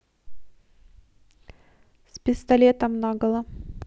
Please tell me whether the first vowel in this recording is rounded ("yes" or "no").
no